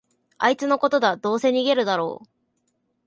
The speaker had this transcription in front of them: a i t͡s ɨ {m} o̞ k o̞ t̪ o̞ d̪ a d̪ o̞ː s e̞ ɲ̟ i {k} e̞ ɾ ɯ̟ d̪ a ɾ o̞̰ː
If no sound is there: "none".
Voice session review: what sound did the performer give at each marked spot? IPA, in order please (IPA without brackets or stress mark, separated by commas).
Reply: n, ɡ